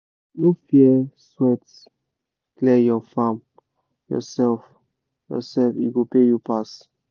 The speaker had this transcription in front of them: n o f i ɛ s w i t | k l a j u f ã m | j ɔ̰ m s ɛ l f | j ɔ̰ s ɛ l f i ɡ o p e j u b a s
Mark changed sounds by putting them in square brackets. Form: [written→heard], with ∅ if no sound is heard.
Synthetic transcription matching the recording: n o f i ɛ s w [i→ɛ] t | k l [a→ɛ] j [u→ɔ] f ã m | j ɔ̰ [m→∅] s ɛ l f | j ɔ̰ s ɛ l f i ɡ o p e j u [b→p] a s